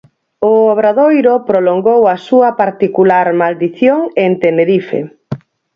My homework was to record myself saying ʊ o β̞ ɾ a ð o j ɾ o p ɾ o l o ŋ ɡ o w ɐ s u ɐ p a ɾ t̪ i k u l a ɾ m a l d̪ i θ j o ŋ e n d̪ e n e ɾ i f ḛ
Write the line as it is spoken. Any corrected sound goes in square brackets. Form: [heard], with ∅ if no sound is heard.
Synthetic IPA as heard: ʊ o β̞ ɾ a ð o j ɾ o p ɾ o l o ŋ ɡ o w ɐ s u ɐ p a ɾ t̪ i k u l a ɾ m a l d̪ i θ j o ŋ e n [t̪] e n e ɾ i f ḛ

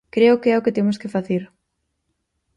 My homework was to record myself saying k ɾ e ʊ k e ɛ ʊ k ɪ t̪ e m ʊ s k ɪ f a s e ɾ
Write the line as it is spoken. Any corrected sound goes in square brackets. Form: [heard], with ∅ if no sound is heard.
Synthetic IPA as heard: k ɾ e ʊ k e ɛ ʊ k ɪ t̪ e m ʊ s k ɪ f a [θ] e ɾ

